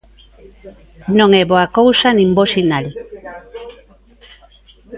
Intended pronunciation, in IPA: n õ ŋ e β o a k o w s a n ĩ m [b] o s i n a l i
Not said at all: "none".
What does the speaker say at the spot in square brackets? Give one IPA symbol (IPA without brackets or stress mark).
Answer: b